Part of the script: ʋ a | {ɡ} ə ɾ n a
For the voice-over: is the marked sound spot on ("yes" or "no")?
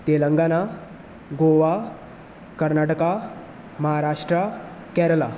no